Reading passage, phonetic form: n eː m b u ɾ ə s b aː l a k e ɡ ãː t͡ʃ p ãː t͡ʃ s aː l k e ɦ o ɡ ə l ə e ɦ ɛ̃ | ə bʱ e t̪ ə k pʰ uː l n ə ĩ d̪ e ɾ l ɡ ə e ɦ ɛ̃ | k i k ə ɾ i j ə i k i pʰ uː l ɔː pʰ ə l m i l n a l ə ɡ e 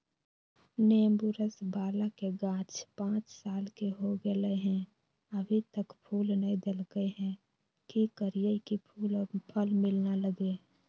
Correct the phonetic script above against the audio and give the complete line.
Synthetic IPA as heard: n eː m b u ɾ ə s b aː l a k e ɡ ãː t͡ʃ p ãː t͡ʃ s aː l k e ɦ o ɡ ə l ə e ɦ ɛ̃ | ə bʱ i t̪ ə k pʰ uː l n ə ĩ d̪ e l ɡ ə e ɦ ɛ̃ | k i k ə ɾ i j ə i k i pʰ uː l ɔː pʰ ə l m ɪ l n a l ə ɡ e

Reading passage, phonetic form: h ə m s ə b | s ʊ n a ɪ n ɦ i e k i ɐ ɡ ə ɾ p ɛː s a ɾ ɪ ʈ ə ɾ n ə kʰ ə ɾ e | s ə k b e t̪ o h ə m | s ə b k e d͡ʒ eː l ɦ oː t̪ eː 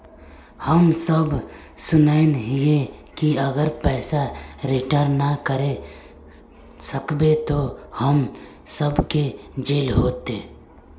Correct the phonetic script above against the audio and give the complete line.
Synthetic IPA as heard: h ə m s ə b | s ʊ n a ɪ n ɦ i e k i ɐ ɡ ə ɾ p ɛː s a ɾ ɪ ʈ ə ɾ n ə k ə ɾ e | s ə k b e t̪ o h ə m | s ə b k e d͡ʒ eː l ɦ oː t̪ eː

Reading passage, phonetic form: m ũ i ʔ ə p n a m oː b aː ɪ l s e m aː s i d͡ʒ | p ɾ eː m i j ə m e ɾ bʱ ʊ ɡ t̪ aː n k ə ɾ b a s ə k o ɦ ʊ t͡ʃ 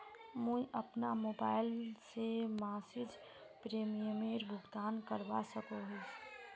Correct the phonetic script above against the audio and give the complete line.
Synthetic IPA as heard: m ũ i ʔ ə p n a m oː b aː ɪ l s e m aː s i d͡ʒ | p ɾ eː m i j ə m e ɾ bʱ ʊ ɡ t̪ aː n k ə ɾ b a s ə k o ɦ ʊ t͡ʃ

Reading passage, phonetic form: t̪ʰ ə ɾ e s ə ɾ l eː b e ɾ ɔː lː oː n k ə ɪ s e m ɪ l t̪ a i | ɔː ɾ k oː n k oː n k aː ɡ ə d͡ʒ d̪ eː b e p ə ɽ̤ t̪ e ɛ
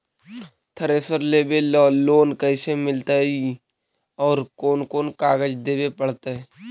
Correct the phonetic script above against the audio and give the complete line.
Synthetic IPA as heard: t̪ʰ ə ɾ e s ə ɾ l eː b e l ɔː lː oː n k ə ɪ s e m ɪ l t̪ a i | ɔː ɾ k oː n k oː n k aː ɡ ə d͡ʒ d̪ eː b e p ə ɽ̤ t̪ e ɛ

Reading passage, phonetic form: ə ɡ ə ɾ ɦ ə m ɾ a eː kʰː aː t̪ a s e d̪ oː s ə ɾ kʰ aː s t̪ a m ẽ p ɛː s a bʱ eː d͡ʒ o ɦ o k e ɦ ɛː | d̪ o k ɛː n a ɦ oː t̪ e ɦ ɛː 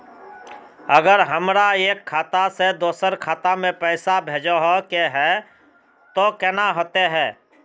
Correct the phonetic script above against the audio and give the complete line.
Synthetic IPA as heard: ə ɡ ə ɾ ɦ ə m ɾ a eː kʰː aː t̪ a s e d̪ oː s ə ɾ kʰ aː t̪ a m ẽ p ɛː s a bʱ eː d͡ʒ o ɦ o k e ɦ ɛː | t̪ o k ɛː n a ɦ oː t̪ e ɦ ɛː

